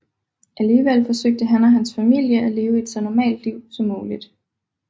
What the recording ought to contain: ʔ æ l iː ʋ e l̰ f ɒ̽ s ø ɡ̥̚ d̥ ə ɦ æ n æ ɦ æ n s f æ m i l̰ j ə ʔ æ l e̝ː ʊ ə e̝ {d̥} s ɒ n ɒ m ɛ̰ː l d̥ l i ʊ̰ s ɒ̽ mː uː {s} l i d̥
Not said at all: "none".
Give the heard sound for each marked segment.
d̥, none

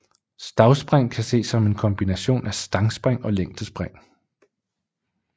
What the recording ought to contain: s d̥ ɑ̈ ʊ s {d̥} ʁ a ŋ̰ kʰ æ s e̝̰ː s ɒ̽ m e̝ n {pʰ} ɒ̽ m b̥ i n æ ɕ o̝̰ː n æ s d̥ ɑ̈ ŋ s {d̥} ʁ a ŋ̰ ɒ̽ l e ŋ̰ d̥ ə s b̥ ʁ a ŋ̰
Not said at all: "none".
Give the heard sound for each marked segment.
b̥, kʰ, b̥

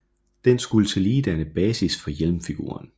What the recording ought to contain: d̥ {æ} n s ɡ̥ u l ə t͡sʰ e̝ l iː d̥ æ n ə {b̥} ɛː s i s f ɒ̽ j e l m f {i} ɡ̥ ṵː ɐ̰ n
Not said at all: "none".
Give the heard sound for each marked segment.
e, b̥, i

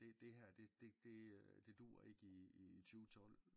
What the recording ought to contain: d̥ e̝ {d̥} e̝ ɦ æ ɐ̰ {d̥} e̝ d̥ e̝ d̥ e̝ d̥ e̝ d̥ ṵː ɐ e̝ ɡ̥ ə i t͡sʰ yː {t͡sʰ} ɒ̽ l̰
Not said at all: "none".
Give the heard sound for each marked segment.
d̥, d̥, t͡sʰ

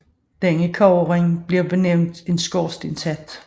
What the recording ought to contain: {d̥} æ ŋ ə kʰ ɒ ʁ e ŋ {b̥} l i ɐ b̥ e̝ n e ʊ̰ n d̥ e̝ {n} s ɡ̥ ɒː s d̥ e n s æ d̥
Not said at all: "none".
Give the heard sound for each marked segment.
d̥, b̥, n

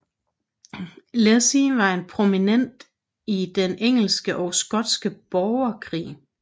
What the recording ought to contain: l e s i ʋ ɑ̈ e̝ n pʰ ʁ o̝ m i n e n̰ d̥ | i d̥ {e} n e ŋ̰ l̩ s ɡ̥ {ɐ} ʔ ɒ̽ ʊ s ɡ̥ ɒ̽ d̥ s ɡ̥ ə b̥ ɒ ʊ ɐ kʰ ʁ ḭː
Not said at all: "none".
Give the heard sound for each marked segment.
e, ə

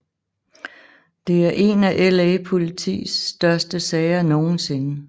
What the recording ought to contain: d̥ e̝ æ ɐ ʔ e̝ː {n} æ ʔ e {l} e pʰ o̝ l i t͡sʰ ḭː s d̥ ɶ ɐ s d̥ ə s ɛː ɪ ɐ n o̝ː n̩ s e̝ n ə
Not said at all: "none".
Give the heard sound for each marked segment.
n, l

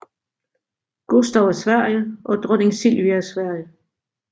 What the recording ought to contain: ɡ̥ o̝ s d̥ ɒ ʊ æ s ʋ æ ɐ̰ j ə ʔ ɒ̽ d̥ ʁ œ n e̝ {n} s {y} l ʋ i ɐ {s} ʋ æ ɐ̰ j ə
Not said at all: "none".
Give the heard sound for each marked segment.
ŋ, i, s

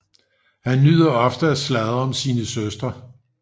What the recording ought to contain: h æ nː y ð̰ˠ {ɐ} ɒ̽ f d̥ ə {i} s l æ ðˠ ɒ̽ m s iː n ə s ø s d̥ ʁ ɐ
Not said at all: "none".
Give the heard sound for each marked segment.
ɐ, æ

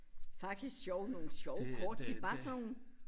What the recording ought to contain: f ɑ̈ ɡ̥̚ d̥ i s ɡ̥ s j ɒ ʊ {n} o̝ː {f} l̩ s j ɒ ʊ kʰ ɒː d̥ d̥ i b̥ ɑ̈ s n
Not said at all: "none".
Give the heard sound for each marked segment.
n, none

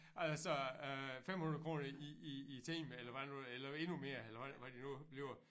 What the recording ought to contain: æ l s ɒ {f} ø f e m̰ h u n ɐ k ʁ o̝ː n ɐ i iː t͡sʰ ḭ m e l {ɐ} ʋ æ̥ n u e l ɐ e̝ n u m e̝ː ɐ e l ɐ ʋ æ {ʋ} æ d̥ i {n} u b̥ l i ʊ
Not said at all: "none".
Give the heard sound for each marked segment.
none, ɐ, ʋ, n

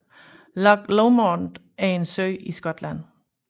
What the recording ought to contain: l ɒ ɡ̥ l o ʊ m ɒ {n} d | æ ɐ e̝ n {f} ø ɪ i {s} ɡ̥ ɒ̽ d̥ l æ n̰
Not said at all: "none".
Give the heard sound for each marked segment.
n, s, s

